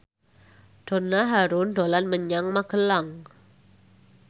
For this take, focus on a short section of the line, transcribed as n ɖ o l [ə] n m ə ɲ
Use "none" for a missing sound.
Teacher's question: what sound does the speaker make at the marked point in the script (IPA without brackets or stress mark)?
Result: a